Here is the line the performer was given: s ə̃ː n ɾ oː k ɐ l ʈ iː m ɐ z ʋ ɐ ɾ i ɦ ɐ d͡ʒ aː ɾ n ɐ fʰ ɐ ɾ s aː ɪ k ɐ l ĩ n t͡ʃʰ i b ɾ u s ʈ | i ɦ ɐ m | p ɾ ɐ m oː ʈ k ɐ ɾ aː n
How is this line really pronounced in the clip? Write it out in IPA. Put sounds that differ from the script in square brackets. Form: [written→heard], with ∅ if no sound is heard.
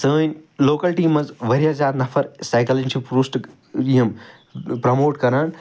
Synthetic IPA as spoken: s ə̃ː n [ɾ→l] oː k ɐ l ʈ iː m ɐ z ʋ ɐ ɾ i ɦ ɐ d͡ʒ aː ɾ n ɐ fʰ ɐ ɾ s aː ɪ k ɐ l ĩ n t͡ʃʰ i [b→p] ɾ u s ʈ | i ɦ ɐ m | p ɾ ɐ m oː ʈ k ɐ ɾ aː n